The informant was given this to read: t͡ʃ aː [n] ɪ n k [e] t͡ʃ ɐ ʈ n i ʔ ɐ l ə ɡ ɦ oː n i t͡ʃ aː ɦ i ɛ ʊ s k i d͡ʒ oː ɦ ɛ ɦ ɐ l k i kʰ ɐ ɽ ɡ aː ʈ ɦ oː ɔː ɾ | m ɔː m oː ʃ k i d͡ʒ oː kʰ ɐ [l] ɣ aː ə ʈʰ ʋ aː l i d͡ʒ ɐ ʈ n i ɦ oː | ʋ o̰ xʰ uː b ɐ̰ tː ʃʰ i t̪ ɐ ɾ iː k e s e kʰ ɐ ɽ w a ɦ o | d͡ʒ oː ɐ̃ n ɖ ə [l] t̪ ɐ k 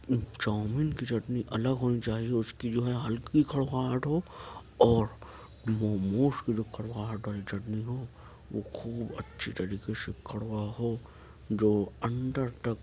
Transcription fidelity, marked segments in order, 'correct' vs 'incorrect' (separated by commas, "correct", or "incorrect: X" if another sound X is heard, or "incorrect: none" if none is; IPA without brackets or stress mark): incorrect: m, incorrect: i, incorrect: ɽ, incorrect: ɾ